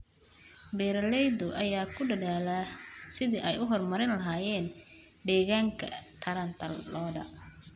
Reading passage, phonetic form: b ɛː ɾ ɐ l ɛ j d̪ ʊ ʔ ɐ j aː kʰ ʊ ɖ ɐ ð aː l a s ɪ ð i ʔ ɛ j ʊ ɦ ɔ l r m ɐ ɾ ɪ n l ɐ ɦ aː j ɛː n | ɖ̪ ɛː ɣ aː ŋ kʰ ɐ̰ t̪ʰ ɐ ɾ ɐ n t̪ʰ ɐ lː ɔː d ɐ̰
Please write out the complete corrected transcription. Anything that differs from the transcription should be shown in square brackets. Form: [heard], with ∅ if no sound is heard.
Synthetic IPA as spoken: b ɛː ɾ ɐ l ɛ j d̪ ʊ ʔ ɐ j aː kʰ ʊ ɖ ɐ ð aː l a s ɪ ð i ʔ ɛ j ʊ ɦ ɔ [∅] r m ɐ ɾ ɪ n l ɐ ɦ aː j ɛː n | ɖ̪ ɛː ɣ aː ŋ kʰ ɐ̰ t̪ʰ ɐ ɾ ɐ n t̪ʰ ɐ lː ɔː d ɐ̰